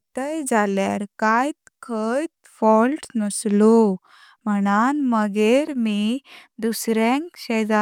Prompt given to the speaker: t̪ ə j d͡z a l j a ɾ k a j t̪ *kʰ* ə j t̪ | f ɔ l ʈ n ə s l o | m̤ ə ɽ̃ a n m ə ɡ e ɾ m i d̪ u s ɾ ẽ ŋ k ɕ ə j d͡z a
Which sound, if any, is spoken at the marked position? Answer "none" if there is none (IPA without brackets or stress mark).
kʰ